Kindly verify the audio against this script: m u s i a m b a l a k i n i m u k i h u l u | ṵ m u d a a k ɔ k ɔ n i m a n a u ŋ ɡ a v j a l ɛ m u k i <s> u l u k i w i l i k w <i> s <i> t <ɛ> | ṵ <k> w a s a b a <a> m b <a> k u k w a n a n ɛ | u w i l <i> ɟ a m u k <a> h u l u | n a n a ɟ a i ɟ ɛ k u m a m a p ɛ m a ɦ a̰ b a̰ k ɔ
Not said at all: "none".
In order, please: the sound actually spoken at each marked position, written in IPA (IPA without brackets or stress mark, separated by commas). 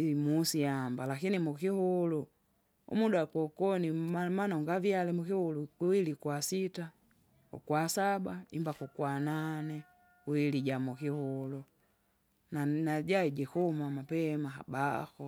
h, a, i, a, k, i, a, i, i